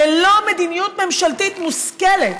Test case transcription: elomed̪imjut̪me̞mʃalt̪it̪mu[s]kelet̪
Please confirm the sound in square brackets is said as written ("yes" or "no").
yes